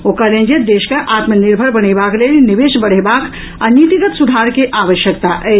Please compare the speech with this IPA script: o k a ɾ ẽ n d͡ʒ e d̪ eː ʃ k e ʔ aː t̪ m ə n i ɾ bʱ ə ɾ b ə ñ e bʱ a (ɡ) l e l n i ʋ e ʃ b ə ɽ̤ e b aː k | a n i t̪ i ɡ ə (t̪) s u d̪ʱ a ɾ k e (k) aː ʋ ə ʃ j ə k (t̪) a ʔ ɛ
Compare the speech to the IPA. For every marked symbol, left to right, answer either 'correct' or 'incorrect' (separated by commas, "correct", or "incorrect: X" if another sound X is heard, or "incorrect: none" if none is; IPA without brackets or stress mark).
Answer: incorrect: k, correct, incorrect: ʔ, correct